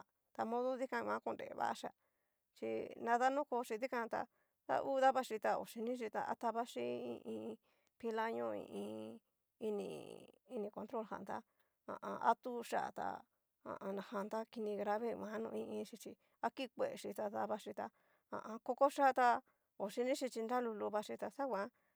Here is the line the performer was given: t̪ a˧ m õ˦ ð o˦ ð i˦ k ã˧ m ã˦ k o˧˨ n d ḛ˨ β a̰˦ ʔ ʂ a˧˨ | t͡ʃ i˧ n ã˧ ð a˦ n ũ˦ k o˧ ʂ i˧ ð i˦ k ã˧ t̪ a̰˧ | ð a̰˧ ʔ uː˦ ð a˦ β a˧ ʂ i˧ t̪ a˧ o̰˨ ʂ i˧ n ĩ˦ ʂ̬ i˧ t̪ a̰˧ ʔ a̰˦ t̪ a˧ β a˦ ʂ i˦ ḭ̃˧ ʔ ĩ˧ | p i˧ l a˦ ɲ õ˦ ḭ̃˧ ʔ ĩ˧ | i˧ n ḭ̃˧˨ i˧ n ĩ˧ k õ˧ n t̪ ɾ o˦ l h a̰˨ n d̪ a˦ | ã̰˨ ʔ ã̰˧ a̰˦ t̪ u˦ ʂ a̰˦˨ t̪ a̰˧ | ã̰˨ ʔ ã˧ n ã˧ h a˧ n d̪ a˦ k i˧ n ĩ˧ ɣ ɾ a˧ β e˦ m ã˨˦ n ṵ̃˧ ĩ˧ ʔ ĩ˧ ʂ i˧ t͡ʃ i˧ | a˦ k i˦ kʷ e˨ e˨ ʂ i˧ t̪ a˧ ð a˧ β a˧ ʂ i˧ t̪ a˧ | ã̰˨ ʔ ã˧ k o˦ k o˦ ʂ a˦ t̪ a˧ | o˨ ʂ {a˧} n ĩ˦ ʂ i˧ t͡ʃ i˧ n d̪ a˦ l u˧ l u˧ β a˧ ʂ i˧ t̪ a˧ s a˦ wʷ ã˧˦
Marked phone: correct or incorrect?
incorrect